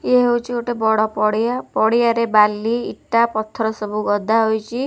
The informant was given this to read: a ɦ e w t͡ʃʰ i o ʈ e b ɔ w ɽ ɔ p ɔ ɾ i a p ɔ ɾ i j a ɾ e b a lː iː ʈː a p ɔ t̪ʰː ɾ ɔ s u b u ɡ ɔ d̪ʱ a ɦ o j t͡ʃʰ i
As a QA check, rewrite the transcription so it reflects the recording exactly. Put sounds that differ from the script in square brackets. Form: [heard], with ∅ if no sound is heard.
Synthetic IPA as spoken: [e] ɦ e w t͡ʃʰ i o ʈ e b ɔ [∅] ɽ ɔ p ɔ [ɽ] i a p ɔ [ɽ] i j a ɾ e b a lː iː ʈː a p ɔ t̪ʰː ɾ ɔ s [ɔ] b u ɡ ɔ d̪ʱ a ɦ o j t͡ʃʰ i